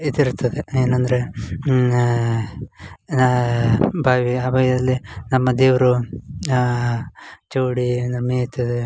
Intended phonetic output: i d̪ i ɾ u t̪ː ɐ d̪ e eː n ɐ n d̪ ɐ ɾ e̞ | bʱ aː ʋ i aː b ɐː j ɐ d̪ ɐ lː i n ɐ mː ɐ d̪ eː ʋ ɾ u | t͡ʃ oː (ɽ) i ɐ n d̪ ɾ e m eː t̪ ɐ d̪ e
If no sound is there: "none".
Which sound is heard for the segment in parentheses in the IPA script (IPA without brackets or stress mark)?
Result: ɽ